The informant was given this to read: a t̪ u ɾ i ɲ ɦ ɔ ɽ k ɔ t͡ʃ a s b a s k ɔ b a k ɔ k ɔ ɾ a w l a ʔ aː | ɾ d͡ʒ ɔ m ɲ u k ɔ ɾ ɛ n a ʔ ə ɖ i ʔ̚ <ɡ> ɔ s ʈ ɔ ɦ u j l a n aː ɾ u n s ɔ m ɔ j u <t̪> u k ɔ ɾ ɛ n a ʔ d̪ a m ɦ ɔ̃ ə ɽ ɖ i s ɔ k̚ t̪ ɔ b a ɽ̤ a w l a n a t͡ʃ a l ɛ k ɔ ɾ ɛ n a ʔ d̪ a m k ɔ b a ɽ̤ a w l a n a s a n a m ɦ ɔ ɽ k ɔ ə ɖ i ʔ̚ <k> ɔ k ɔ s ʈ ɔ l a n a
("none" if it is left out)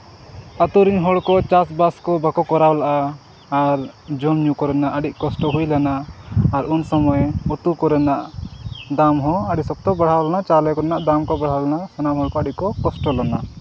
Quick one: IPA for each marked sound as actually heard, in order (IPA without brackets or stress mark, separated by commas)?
k, t̪, k